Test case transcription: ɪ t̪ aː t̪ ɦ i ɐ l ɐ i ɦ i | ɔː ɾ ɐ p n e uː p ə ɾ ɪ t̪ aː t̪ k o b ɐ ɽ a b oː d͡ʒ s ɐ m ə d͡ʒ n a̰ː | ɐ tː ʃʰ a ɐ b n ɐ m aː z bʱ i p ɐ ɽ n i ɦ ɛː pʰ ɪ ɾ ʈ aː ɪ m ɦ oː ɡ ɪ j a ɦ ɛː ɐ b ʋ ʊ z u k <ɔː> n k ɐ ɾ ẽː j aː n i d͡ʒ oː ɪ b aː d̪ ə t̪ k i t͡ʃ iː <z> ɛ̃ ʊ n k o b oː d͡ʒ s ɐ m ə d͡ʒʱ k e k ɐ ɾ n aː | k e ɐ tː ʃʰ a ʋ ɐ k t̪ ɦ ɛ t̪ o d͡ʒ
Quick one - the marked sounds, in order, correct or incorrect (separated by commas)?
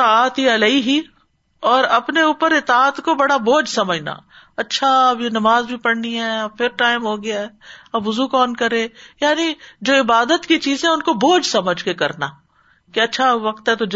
correct, correct